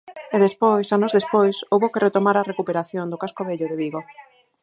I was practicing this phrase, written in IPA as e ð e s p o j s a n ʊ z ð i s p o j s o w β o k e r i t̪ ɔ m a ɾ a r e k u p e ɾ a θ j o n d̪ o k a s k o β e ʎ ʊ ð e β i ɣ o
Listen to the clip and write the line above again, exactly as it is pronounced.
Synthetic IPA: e ð e s p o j s a n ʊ z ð e s p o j s o w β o k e r e t̪ o m a ɾ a r e k u p e ɾ a θ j o n d̪ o k a s k o β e ʎ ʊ ð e β i ɣ o